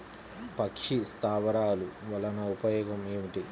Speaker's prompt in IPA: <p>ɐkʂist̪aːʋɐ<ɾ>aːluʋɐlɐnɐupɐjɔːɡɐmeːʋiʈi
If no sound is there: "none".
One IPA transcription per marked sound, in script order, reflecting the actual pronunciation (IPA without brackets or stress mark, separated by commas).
p, ɾ